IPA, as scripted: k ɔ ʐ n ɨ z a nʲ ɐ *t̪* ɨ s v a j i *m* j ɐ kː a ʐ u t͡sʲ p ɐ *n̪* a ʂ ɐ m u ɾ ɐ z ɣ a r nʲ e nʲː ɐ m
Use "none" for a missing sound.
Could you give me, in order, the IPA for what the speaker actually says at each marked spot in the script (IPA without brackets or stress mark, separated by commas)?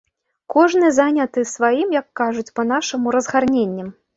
t̪, m, n̪